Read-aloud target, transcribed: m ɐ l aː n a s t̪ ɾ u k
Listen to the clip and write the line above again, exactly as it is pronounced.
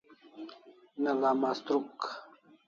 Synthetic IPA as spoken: n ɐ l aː m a s t̪ ɾ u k